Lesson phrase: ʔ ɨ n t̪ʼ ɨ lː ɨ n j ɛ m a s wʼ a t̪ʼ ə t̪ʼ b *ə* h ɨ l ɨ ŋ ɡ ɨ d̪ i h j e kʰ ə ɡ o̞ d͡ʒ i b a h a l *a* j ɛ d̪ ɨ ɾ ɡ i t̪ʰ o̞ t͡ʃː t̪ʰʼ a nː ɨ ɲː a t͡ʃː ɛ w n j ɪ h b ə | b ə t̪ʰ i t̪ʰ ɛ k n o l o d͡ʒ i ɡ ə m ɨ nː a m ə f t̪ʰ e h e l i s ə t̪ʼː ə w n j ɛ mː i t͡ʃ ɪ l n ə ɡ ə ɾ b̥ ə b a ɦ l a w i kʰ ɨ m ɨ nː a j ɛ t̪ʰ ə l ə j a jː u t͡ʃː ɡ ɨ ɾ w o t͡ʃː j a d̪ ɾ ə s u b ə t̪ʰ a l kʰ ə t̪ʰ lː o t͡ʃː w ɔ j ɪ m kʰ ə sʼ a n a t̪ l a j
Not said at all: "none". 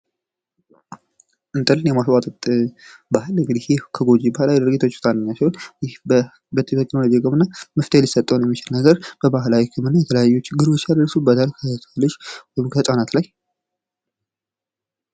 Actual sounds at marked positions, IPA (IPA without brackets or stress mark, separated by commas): a, a